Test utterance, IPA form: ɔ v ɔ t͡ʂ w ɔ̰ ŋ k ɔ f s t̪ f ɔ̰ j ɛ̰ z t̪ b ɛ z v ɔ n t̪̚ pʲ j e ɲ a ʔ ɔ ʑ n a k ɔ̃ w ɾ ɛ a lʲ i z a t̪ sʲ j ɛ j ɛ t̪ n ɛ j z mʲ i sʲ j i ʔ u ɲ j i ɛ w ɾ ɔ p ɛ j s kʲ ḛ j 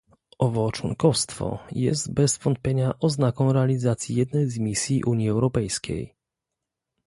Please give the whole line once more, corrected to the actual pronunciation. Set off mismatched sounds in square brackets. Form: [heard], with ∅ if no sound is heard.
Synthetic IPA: ɔ v ɔ t͡ʂ w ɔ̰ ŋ k ɔ f s t̪ f ɔ̰ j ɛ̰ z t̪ b ɛ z v ɔ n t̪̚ pʲ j e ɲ a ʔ ɔ [z] n a k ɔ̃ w ɾ ɛ a lʲ i z a t̪ sʲ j [i] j ɛ [d̪] n ɛ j z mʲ i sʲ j i ʔ u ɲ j i ɛ w ɾ ɔ p ɛ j s kʲ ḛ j